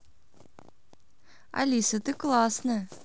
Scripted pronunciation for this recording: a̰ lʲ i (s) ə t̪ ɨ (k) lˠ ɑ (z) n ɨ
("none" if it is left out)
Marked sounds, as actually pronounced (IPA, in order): s, k, s

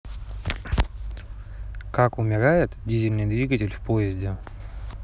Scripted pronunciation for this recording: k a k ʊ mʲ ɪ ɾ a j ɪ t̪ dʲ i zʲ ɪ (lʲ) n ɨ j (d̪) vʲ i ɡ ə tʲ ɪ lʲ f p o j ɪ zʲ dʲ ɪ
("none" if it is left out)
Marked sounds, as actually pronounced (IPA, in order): lʲ, d̪

